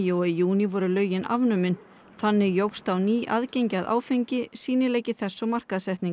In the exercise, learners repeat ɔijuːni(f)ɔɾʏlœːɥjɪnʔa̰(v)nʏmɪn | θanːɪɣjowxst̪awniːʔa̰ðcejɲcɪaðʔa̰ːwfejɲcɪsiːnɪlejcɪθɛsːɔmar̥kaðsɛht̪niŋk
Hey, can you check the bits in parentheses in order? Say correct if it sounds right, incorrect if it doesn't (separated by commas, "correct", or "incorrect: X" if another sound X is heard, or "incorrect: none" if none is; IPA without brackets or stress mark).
incorrect: v, correct